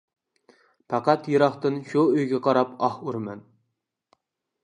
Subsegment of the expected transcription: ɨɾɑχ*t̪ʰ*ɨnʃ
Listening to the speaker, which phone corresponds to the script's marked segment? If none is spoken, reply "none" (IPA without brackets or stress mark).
t̪